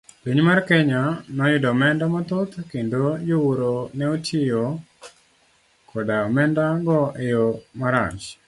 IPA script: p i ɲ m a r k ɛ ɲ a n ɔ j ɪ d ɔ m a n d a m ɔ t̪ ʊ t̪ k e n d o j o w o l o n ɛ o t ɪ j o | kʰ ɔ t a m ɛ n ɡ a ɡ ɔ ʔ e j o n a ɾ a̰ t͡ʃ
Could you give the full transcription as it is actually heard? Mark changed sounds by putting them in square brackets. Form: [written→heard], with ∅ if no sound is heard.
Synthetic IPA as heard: p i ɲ m a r k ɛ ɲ a n ɔ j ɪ d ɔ m [a→ɛ] n d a m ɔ t̪ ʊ t̪ k e n d o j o w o [l→ɾ] o n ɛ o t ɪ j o | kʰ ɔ [t→d] a m ɛ n [ɡ→d] a ɡ ɔ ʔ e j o [n→m] a ɾ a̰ t͡ʃ

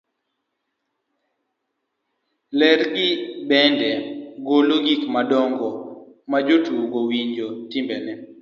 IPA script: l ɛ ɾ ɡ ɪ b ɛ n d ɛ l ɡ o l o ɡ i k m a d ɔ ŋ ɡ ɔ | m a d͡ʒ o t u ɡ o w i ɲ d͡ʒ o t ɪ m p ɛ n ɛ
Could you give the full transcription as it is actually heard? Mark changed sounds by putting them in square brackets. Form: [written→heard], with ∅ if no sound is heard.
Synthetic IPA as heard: l ɛ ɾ ɡ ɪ b ɛ n d ɛ [l→∅] ɡ o l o ɡ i k m a d ɔ ŋ ɡ ɔ | m a d͡ʒ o t u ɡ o w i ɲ d͡ʒ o t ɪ m [p→b] ɛ n ɛ

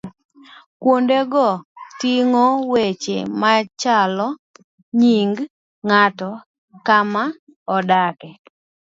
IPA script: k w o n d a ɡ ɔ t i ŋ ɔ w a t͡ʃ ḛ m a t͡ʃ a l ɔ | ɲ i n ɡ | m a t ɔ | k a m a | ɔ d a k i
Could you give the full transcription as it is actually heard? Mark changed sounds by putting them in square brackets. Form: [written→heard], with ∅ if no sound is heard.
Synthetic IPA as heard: k w o n d [a→e] ɡ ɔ t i ŋ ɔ w [a→e] t͡ʃ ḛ m a t͡ʃ a l ɔ | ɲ i [n→ŋ] ɡ | [m→ŋ] a t ɔ | k a m a | ɔ d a k [i→ɛ]

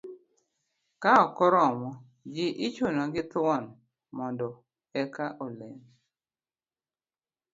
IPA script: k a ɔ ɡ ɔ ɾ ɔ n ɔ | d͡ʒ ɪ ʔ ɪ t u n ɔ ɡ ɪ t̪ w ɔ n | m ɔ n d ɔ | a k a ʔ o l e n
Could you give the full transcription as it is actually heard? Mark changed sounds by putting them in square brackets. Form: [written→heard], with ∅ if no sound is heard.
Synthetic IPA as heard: k a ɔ [ɡ→k] ɔ ɾ ɔ [n→m] ɔ | d͡ʒ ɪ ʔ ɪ [t→t͡ʃ] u n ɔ ɡ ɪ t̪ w ɔ n | m ɔ n d ɔ | [a→ɛ] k a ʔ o l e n

